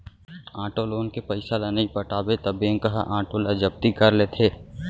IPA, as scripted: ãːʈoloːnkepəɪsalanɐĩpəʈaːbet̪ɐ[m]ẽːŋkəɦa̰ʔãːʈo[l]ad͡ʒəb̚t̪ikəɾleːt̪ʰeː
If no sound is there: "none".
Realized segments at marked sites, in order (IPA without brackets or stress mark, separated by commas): b, l